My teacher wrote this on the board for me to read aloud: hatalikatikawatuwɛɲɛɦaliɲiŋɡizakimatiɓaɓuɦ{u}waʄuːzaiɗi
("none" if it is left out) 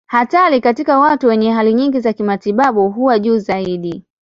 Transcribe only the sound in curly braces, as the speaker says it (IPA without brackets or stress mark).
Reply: u